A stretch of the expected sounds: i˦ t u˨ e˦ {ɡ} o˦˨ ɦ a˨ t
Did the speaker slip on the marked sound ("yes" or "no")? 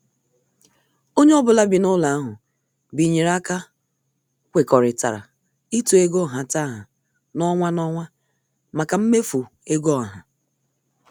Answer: no